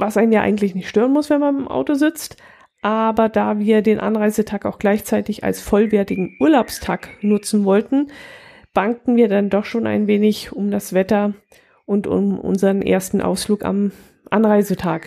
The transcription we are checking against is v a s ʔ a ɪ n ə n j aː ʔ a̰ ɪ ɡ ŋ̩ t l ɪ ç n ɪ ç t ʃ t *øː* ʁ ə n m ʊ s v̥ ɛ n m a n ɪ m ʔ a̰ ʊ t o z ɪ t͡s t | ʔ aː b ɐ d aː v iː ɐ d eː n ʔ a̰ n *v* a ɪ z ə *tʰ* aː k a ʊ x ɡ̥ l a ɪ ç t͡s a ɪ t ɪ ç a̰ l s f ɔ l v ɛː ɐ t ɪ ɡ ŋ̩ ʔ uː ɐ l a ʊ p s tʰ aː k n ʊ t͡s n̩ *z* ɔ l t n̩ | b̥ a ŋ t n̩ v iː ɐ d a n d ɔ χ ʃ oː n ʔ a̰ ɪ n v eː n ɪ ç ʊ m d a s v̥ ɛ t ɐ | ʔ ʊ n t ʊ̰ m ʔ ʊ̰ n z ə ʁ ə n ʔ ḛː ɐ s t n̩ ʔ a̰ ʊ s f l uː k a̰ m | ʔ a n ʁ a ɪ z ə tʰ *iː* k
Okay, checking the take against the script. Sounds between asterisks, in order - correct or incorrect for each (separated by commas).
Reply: correct, incorrect, correct, incorrect, incorrect